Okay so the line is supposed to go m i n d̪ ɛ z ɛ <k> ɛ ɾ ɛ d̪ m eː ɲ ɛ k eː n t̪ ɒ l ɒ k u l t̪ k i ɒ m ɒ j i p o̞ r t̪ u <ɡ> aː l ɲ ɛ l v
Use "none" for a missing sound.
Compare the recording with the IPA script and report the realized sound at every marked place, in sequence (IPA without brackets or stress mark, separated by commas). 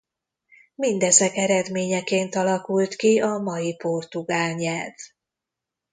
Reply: k, ɡ